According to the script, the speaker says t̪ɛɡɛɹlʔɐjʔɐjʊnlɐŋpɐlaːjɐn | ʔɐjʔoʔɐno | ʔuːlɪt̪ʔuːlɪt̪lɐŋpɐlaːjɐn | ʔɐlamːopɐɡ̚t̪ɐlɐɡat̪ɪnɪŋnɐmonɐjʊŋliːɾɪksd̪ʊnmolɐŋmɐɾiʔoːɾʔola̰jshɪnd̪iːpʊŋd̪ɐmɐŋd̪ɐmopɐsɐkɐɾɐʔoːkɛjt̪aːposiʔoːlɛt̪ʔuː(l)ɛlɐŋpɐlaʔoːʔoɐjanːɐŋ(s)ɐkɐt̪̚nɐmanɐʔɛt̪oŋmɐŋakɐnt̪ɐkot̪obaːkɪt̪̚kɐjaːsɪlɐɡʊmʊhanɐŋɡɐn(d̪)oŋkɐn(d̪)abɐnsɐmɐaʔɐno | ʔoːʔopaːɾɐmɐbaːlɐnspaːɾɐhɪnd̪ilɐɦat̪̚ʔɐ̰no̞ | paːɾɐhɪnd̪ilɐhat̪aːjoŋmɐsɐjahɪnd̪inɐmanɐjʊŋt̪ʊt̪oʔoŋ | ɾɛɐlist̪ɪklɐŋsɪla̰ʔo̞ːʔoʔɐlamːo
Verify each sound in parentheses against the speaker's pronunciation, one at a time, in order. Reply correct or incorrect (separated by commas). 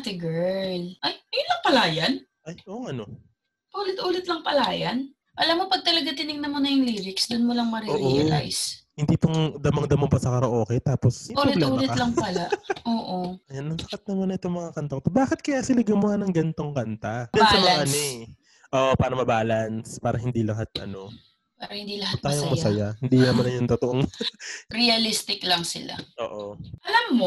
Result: correct, correct, incorrect, incorrect